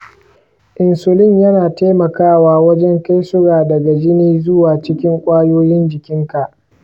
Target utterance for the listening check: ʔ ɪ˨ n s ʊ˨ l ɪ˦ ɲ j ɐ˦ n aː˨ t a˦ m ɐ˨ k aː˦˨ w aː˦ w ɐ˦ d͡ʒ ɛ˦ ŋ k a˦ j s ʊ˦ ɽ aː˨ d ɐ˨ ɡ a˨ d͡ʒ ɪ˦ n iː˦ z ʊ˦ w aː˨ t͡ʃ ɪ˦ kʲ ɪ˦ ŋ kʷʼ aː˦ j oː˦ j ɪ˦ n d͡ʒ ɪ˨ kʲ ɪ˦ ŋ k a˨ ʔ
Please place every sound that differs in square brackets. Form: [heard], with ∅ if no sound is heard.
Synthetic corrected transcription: ʔ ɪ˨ n s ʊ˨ l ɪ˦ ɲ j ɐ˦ n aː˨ t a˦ m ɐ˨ k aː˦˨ w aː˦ w ɐ˦ d͡ʒ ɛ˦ ŋ k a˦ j s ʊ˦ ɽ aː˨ d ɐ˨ ɡ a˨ d͡ʒ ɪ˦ n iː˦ z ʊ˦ w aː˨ t͡ʃ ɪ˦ kʲ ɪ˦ ŋ kʷʼ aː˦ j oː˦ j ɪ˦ n d͡ʒ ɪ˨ kʲ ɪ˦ ŋ k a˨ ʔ